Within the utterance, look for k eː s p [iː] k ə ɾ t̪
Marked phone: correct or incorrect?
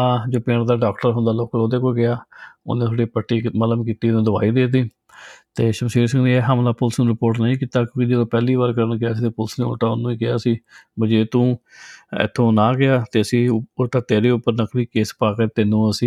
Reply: incorrect